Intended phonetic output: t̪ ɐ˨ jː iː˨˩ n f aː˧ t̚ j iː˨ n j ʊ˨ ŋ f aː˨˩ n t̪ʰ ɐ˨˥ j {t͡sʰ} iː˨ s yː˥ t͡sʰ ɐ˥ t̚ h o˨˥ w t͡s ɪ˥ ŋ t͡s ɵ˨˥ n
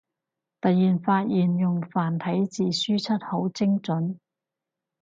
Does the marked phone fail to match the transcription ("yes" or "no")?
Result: yes